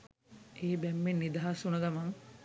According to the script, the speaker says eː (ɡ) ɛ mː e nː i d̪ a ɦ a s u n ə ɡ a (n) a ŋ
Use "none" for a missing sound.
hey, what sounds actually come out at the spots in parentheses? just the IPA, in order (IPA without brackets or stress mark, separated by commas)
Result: b, m